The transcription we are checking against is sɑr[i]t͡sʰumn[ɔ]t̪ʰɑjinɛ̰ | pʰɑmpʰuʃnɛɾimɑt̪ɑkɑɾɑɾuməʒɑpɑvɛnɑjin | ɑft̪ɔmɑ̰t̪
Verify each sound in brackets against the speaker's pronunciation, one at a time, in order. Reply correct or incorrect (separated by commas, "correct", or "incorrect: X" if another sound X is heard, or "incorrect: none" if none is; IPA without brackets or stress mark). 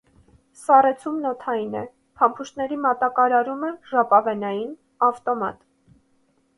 incorrect: ɛ, correct